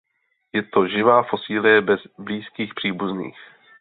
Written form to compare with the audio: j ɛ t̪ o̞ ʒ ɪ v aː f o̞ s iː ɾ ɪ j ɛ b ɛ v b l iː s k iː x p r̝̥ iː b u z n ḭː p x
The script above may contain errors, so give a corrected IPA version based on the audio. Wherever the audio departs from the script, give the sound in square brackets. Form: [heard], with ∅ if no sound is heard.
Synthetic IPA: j ɛ t̪ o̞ ʒ ɪ v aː f o̞ s iː [l] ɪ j ɛ b ɛ [z] b l iː s k iː x p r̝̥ iː b u z n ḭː [∅] x